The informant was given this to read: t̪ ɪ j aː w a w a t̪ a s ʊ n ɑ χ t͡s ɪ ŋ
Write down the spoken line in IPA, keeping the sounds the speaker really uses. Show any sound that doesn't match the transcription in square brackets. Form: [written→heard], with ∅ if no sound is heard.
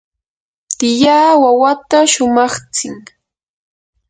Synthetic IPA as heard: t̪ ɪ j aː w a w a t̪ a [s→ʃ] ʊ [n→m] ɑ χ t͡s ɪ ŋ